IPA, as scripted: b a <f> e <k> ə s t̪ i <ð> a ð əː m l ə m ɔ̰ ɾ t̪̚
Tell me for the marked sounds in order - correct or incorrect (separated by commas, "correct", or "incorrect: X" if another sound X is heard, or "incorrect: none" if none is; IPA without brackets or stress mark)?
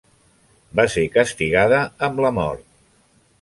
incorrect: s, correct, incorrect: ɣ